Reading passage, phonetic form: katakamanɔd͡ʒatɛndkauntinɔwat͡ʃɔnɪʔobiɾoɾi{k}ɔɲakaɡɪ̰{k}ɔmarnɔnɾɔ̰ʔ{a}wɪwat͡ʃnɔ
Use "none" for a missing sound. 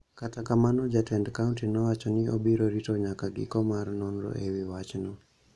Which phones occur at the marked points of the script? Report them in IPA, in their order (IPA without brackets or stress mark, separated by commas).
t, k, e